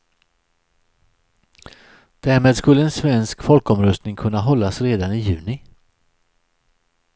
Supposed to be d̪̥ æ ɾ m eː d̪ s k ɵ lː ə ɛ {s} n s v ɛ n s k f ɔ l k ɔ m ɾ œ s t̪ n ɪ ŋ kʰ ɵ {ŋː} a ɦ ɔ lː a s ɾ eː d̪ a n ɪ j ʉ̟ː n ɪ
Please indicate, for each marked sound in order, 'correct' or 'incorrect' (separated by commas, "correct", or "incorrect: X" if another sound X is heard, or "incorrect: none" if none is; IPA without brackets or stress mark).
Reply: incorrect: none, incorrect: nː